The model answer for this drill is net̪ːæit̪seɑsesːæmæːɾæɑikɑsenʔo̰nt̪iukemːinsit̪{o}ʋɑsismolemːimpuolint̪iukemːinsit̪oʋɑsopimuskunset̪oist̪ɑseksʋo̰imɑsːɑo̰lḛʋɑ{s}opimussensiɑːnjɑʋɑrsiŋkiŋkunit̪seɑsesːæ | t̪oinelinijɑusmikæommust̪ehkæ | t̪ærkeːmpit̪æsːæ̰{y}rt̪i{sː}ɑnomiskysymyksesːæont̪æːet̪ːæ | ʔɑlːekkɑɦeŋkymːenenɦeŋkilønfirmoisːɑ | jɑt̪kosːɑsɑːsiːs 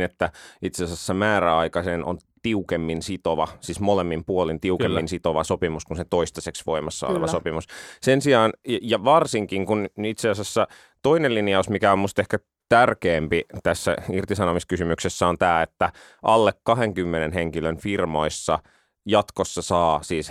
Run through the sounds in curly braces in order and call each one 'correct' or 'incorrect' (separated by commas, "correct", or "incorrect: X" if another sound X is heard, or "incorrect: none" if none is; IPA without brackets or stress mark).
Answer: correct, correct, incorrect: i, incorrect: s